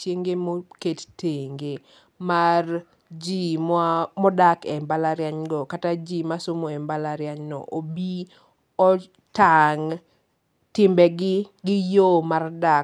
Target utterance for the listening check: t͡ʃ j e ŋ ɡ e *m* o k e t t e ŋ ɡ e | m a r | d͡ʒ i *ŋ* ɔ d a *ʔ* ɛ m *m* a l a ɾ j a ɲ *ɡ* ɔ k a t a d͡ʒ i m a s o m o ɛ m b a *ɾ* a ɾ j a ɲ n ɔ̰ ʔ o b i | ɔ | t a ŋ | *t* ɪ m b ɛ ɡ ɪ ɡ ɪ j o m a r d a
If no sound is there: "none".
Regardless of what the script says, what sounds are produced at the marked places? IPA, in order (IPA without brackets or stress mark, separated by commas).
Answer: m, m, k, b, ɡ, l, t